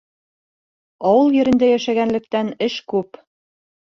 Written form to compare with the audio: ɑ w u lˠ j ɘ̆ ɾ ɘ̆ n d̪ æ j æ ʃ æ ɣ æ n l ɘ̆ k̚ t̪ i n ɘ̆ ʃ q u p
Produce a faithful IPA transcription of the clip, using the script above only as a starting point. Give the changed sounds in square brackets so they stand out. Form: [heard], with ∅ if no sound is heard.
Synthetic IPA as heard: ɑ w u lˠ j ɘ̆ ɾ ɘ̆ n d̪ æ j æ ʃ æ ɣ æ n l ɘ̆ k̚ t̪ [æ] n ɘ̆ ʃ [k] u p